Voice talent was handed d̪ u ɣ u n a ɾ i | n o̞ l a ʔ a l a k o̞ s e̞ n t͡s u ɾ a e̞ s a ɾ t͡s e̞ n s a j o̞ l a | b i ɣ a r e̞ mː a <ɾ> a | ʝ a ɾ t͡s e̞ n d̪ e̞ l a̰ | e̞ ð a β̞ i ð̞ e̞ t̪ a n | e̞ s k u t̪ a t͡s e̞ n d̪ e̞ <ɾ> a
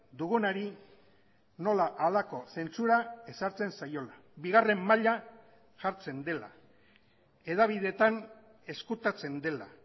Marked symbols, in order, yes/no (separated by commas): no, no